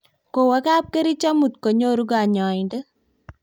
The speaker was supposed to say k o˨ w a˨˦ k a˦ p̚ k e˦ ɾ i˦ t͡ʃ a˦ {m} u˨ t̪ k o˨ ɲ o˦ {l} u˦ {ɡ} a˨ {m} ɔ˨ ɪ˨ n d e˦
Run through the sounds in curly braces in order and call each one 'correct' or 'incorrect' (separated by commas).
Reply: correct, incorrect, correct, incorrect